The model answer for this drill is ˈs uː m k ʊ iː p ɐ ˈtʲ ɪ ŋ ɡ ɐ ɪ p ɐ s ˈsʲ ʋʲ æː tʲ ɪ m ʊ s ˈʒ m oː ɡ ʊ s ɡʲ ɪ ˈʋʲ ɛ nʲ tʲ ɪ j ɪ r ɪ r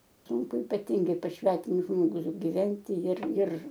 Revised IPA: ˈs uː ŋ k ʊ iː p ɐ ˈtʲ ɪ ŋ ɡ ɐ ɪ p ɐ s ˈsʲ ʋʲ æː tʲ ɪ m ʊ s ˈʒ m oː ɡ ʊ s ɡʲ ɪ ˈʋʲ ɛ nʲ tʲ ɪ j ɪ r ɪ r